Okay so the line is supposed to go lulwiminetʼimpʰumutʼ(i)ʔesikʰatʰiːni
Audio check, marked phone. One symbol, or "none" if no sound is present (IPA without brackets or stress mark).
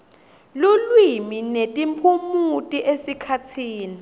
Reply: i